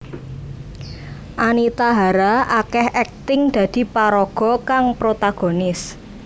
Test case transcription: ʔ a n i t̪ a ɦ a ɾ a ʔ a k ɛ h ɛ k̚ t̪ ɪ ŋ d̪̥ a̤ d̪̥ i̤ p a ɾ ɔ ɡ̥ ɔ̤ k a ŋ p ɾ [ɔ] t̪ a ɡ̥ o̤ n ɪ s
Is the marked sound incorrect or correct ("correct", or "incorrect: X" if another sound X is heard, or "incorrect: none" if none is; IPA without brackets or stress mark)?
incorrect: o